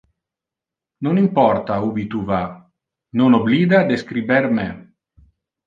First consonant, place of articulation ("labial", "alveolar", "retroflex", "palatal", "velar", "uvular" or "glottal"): alveolar